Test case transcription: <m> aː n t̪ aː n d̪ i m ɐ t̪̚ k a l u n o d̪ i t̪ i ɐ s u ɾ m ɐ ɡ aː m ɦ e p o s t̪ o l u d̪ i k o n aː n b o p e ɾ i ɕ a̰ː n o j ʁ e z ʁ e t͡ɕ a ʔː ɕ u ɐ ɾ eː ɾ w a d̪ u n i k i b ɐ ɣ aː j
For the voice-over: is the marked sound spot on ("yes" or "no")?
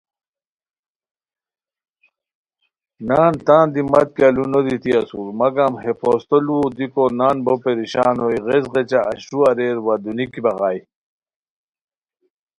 no